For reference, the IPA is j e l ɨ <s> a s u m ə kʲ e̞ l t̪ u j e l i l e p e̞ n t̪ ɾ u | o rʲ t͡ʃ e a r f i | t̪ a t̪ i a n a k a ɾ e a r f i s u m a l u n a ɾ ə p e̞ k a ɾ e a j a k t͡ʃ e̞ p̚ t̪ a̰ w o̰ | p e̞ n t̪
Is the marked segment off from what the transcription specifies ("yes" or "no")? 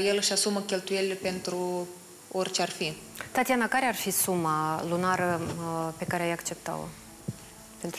yes